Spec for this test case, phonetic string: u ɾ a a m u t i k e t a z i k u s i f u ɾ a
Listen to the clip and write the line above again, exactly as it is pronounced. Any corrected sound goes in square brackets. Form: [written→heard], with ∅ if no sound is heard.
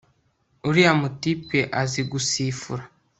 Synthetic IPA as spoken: u ɾ [a→i] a m u t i [k→p] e [t→ʔ] a z i [k→ɡ] u s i f u ɾ a